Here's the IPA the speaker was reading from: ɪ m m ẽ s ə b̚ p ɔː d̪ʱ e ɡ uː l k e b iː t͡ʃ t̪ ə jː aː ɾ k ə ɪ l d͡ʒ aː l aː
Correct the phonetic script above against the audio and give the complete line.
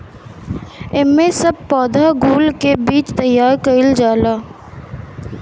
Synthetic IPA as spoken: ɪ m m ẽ s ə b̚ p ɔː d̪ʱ a ɡ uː l k e b iː t͡ʃ t̪ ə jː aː ɾ k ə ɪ l d͡ʒ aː l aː